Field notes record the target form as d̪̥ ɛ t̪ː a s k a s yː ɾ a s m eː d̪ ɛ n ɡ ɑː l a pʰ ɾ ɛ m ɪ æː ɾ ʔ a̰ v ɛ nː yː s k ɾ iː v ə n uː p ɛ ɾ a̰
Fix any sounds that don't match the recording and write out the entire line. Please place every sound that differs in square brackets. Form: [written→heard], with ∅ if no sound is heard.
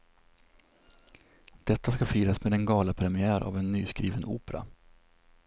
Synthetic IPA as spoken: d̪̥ ɛ t̪ː a s k a [s→f] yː ɾ a s m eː d̪ ɛ n ɡ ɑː l a pʰ ɾ ɛ m ɪ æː ɾ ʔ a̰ v ɛ nː yː s k ɾ iː v ə n uː p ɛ ɾ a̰